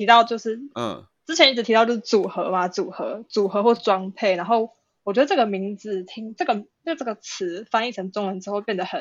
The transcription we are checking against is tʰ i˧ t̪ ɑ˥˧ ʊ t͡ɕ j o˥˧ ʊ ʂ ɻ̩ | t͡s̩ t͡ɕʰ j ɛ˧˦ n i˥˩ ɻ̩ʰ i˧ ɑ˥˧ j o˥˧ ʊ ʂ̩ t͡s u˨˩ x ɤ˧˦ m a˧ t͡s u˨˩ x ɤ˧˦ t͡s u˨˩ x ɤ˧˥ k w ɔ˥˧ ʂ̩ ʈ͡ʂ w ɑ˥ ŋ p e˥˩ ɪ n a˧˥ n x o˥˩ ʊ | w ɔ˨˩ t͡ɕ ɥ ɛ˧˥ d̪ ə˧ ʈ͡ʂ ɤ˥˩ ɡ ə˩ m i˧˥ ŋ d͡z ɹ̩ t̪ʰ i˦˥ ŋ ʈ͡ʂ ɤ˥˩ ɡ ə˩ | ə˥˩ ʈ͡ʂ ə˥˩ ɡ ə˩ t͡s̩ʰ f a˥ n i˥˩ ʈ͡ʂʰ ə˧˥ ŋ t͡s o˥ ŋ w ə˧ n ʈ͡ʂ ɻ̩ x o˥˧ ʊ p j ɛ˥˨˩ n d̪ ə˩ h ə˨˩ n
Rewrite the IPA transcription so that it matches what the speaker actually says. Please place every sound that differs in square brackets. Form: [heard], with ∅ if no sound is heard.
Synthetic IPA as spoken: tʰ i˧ t̪ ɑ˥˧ ʊ t͡ɕ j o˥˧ ʊ ʂ ɻ̩ | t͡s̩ t͡ɕʰ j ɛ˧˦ n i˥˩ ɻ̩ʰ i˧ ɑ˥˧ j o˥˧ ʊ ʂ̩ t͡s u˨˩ x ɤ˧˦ m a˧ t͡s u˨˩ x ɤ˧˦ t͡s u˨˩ x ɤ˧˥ [x] w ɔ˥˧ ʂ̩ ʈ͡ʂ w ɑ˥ ŋ [pʰ] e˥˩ ɪ n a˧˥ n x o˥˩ ʊ | w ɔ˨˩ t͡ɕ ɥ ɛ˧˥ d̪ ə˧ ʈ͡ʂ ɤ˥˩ ɡ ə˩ m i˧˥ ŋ d͡z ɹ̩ t̪ʰ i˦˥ ŋ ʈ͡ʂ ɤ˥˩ ɡ ə˩ | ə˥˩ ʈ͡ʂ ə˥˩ ɡ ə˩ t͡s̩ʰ f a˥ n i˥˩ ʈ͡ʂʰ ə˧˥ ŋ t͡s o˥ ŋ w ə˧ n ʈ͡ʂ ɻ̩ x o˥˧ ʊ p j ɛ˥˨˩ n d̪ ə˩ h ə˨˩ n